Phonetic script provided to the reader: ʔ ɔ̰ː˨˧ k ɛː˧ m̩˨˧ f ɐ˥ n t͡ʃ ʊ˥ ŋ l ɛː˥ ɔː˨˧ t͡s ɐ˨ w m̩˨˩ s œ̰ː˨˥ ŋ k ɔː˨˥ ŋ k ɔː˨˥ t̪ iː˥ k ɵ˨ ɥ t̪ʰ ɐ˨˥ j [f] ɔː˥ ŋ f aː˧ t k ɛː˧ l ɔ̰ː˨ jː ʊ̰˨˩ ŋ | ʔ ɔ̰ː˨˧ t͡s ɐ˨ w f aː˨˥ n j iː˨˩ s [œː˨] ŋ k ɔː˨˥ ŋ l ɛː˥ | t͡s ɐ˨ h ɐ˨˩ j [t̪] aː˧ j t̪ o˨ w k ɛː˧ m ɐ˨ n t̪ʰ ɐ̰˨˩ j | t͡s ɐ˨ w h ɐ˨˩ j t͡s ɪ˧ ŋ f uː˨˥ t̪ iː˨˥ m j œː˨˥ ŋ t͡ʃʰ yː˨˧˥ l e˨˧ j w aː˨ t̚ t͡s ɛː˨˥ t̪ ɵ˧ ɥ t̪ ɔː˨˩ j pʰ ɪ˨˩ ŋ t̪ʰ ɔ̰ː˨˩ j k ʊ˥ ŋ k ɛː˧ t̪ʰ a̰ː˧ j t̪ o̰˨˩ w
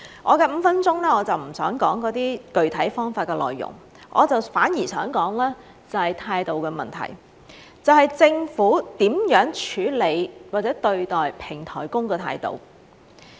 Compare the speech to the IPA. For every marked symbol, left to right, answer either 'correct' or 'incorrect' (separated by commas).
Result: correct, incorrect, incorrect